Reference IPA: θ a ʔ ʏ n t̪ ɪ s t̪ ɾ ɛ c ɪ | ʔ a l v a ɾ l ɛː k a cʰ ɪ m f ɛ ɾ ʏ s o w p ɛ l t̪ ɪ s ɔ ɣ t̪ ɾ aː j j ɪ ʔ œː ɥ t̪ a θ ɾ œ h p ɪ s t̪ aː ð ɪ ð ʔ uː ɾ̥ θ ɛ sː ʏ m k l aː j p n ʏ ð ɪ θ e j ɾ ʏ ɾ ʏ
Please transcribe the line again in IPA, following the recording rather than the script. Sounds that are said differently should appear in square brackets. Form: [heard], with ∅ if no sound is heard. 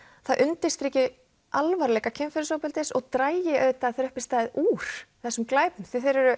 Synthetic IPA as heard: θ a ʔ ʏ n t̪ ɪ s t̪ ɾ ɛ c ɪ | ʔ a l v a ɾ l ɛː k a cʰ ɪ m f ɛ ɾ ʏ s o w p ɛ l t̪ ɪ s ɔ ɣ t̪ ɾ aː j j ɪ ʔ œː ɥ t̪ a θ ɾ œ h p ɪ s t̪ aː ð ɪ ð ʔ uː ɾ̥ θ ɛ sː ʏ m k l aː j p n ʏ [θ] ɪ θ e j ɾ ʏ ɾ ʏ